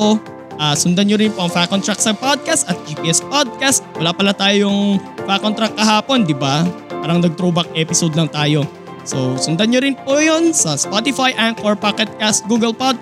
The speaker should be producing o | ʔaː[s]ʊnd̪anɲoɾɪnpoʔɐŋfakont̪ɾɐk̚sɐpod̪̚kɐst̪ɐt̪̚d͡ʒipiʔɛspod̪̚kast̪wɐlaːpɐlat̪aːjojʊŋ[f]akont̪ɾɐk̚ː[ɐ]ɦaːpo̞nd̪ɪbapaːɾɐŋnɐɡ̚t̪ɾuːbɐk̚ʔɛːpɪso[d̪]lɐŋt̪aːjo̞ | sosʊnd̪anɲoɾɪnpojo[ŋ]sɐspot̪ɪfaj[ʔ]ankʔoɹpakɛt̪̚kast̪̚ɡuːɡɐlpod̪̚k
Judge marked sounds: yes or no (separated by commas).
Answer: yes, yes, yes, yes, no, yes